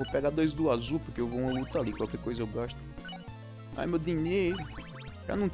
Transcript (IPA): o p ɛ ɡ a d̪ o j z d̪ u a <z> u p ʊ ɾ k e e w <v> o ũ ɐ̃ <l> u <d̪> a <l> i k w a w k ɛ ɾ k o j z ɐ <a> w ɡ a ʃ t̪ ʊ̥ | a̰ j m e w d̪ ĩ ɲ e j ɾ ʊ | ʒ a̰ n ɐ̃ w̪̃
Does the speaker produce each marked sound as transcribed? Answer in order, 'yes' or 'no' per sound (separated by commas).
yes, yes, yes, no, yes, no